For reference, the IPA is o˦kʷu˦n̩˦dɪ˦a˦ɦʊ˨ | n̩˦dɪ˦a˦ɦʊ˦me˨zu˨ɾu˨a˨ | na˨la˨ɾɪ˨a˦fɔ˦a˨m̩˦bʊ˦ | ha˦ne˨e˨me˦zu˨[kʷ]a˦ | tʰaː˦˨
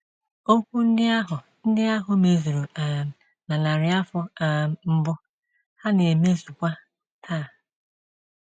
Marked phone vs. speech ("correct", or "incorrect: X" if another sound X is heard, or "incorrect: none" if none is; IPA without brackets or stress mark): correct